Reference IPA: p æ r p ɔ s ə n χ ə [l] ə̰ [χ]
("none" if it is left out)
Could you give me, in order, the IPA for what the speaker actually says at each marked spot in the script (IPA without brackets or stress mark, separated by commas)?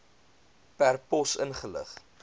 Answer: l, χ